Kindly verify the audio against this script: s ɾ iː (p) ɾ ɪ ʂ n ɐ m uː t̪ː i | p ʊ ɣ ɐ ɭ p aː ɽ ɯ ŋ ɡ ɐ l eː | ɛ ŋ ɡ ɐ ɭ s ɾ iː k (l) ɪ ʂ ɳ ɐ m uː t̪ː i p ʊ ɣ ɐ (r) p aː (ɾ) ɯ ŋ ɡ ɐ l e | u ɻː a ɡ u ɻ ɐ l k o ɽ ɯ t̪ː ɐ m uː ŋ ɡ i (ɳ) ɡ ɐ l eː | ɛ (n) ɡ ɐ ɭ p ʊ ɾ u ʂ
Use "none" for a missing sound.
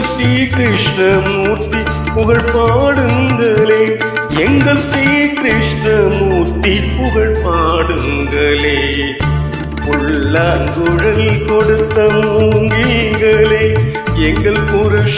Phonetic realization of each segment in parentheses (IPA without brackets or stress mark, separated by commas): k, ɾ, ɭ, ɽ, ŋ, ŋ